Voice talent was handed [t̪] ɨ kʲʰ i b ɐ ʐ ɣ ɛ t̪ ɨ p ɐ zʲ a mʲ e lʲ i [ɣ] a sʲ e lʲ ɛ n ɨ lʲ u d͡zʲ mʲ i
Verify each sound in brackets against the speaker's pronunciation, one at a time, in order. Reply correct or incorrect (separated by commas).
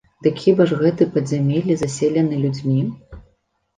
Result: incorrect, incorrect